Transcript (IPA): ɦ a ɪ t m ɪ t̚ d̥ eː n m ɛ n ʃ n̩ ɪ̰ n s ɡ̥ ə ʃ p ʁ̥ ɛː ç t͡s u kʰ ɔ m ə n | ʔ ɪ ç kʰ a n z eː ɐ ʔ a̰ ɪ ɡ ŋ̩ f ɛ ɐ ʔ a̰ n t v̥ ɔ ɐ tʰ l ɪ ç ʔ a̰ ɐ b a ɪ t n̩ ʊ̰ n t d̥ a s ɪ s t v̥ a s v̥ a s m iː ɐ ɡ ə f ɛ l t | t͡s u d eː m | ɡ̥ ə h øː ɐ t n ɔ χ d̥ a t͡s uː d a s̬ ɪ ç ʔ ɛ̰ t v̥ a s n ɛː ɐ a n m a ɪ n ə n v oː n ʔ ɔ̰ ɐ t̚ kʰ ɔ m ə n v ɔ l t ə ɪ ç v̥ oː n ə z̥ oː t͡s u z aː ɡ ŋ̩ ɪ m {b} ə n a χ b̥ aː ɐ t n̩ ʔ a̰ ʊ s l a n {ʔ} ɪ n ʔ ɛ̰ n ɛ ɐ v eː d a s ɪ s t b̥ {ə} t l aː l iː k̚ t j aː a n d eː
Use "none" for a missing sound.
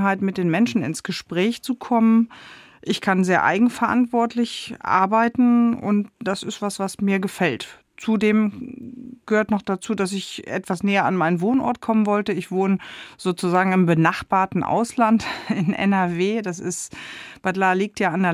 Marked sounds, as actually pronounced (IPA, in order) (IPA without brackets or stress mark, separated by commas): b, t, a